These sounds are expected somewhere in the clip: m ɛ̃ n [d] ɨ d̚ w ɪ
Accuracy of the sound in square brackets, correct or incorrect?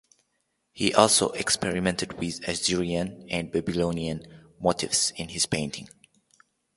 incorrect